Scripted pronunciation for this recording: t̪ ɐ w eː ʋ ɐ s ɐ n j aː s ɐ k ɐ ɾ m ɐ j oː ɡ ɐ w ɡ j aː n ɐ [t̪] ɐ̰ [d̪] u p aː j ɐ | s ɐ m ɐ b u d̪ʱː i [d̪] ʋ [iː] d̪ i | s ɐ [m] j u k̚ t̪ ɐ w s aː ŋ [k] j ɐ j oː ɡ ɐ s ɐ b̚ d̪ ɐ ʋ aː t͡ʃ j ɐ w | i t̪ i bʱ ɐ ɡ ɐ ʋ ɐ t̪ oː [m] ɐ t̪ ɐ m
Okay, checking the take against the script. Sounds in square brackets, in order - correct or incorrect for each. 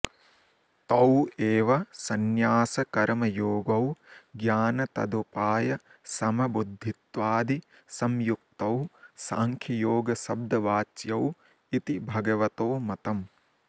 correct, correct, incorrect: t̪, incorrect: aː, correct, incorrect: kʰ, correct

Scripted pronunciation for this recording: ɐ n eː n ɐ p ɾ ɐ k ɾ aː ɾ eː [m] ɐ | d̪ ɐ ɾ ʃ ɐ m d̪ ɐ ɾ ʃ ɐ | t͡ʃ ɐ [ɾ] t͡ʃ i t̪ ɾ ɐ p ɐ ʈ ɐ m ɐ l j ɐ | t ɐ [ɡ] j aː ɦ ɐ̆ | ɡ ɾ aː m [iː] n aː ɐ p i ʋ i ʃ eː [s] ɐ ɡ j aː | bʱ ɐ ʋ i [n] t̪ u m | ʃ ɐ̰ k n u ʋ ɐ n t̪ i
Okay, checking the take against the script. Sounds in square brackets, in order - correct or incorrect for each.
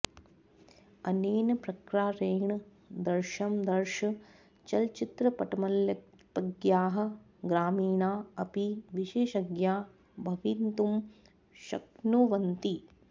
incorrect: ɳ, incorrect: l, correct, correct, incorrect: ʃ, correct

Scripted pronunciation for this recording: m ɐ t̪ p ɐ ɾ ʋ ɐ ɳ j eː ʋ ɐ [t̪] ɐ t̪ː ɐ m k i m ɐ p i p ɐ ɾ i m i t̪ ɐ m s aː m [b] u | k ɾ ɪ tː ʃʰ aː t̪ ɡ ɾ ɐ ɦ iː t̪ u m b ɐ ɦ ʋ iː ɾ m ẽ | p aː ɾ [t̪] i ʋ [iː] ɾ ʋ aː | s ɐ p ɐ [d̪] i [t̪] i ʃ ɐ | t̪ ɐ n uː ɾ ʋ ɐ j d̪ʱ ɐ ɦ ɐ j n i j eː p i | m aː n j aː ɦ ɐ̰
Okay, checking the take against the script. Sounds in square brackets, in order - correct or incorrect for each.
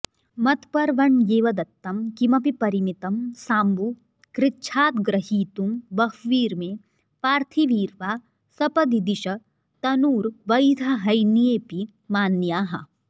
incorrect: d̪, correct, incorrect: t̪ʰ, correct, correct, incorrect: d̪

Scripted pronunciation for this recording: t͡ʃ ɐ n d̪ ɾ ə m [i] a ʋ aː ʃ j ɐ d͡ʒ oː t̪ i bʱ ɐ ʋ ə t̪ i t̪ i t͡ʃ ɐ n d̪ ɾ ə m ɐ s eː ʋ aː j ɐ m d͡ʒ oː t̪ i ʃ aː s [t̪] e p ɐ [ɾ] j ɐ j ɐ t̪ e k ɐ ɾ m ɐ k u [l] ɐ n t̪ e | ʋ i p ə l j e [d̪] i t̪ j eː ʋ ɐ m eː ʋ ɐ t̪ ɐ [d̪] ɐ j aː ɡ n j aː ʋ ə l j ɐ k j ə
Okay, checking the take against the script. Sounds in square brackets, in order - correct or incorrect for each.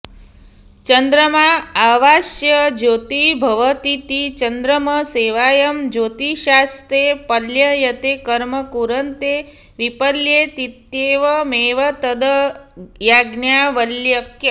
incorrect: a, correct, incorrect: l, incorrect: ɾ, incorrect: t̪, correct

